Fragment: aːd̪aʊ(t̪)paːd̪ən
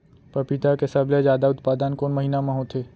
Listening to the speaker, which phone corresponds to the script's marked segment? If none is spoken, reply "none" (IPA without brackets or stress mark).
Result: t̪